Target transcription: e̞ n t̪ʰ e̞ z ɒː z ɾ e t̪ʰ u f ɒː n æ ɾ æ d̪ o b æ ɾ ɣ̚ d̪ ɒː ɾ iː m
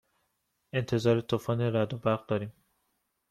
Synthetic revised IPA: e̞ n t̪ʰ e̞ z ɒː ɾ e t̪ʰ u f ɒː n e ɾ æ d̪ o b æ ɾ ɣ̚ d̪ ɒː ɾ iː m